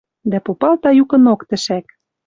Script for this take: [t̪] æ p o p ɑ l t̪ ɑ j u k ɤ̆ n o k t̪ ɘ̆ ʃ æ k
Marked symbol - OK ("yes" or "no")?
no